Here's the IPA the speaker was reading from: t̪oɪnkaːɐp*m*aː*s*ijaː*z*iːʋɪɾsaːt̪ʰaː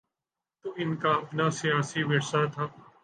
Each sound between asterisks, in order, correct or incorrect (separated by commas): incorrect, correct, incorrect